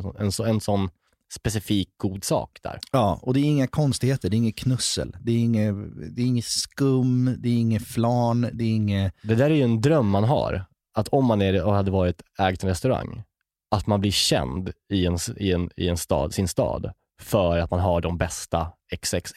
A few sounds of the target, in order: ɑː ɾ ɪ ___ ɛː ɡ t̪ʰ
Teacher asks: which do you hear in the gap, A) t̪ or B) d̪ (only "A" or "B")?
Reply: A